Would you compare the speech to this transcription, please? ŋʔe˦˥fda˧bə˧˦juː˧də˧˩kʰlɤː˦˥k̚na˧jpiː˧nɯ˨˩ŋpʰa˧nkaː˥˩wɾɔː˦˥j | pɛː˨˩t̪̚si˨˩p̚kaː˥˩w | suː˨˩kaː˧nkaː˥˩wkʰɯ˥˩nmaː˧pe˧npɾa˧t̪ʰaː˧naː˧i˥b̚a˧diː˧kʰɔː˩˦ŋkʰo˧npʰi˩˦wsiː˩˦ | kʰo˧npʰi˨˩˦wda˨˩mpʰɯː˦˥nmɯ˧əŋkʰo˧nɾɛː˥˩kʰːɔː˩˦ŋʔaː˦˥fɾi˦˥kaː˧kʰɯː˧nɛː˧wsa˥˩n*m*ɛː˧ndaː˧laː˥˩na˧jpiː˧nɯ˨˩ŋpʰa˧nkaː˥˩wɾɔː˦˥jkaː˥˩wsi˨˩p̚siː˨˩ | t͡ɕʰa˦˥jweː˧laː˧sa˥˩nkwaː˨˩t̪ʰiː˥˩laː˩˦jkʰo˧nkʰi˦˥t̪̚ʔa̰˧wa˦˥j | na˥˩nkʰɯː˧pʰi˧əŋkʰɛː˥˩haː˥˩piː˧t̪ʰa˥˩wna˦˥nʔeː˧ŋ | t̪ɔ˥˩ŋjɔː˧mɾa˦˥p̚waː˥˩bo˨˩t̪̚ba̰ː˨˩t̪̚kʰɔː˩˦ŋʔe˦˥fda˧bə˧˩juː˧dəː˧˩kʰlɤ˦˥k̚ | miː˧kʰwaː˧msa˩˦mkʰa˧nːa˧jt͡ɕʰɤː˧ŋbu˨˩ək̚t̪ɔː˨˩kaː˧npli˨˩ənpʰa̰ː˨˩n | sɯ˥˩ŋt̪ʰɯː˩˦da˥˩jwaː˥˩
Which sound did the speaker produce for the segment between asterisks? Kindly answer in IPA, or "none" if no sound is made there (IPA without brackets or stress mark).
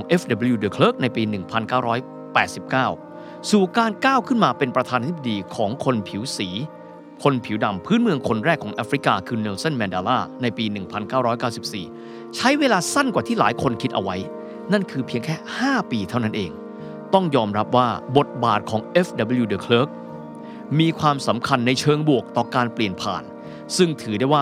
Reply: m